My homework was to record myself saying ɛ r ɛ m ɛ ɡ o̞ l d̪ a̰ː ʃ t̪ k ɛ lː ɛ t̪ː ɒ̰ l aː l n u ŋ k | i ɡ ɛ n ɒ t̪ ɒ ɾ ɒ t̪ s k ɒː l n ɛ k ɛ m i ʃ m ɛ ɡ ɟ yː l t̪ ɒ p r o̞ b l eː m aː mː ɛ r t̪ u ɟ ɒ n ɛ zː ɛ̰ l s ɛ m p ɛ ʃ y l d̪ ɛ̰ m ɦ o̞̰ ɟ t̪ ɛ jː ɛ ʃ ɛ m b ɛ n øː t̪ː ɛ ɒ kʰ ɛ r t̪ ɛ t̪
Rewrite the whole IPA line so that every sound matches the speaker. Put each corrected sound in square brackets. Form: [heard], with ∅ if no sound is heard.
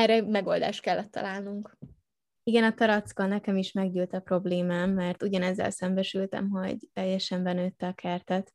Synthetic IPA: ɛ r ɛ m ɛ ɡ o̞ l d̪ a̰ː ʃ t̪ k ɛ lː ɛ t̪ː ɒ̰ l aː l n u ŋ k | i ɡ ɛ n ɒ t̪ ɒ ɾ ɒ t̪ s k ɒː l n ɛ k ɛ m i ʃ m ɛ ɡ ɟ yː l t̪ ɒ p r o̞ b l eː m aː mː ɛ r t̪ u ɟ ɒ n ɛ zː ɛ̰ l s ɛ m [b] ɛ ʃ y l [t̪] ɛ̰ m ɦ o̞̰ ɟ t̪ ɛ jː ɛ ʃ ɛ m b ɛ n øː t̪ː ɛ ɒ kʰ ɛ r t̪ ɛ t̪